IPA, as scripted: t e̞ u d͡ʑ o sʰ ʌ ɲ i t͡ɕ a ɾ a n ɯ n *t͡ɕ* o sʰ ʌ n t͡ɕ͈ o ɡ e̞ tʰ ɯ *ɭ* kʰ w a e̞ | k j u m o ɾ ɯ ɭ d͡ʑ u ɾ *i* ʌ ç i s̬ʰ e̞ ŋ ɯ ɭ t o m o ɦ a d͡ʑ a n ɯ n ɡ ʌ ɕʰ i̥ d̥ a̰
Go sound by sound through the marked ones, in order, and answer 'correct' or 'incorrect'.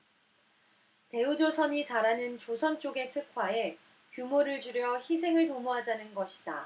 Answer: correct, incorrect, incorrect

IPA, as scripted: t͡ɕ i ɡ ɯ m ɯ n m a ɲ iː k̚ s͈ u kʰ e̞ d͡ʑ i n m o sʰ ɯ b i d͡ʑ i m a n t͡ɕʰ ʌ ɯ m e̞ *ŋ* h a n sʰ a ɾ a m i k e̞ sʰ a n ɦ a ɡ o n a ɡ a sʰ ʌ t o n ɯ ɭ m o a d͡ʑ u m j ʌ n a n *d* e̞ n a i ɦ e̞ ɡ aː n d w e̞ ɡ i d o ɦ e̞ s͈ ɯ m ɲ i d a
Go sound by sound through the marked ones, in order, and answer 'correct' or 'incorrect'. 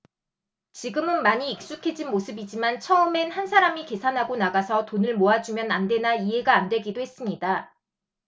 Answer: incorrect, correct

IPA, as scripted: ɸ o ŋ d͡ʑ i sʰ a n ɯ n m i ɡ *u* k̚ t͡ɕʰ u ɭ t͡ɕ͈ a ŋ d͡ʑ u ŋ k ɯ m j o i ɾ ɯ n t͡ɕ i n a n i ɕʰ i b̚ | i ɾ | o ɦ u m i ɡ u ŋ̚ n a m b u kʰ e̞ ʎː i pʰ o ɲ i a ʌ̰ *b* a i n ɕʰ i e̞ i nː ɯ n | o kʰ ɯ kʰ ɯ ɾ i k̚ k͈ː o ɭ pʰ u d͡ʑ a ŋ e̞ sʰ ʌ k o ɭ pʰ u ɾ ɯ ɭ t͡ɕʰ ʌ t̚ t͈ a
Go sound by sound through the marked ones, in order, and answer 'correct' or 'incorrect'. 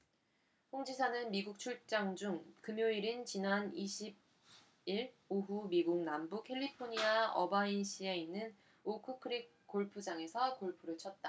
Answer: correct, correct

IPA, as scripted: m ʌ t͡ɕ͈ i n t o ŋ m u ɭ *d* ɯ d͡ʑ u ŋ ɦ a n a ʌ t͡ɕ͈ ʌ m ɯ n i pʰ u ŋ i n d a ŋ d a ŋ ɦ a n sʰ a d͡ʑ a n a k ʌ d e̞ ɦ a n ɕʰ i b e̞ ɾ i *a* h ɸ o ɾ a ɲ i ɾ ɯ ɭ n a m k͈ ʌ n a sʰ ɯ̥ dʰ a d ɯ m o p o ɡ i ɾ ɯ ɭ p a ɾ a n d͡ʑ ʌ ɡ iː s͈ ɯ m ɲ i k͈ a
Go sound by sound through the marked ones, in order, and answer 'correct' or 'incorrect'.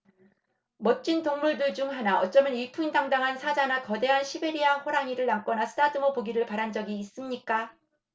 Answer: correct, correct

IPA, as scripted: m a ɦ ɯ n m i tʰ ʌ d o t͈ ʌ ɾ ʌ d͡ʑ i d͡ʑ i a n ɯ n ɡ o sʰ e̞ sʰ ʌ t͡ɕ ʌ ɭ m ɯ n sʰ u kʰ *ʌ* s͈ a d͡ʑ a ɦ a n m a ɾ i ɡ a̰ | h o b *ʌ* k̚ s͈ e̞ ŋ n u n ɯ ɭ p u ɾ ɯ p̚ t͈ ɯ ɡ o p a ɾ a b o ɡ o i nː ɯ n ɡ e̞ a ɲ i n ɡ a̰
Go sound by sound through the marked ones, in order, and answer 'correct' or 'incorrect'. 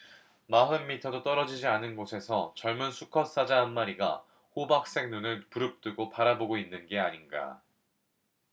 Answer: correct, incorrect

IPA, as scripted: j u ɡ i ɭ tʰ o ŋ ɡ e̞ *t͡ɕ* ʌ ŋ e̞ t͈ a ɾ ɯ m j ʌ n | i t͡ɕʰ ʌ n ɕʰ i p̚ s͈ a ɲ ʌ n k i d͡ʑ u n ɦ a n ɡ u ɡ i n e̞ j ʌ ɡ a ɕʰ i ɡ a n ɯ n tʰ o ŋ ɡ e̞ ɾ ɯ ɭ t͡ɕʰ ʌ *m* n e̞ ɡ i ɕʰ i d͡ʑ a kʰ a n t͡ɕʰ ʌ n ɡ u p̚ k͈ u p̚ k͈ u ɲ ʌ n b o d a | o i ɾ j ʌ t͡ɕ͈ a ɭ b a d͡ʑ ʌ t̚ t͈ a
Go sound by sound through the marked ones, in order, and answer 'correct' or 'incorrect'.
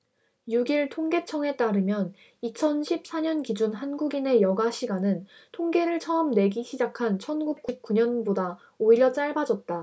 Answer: incorrect, correct

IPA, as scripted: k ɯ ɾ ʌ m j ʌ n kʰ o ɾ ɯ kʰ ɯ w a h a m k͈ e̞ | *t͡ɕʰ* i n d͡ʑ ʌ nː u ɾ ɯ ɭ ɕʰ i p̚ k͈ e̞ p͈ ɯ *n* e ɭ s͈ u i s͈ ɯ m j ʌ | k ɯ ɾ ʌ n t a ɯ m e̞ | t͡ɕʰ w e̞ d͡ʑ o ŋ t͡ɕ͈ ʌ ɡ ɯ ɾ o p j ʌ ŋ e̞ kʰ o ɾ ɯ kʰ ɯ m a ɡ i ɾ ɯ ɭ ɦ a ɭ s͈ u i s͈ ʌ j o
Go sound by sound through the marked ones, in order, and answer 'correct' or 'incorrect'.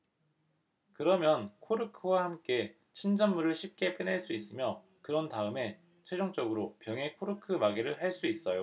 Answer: correct, correct

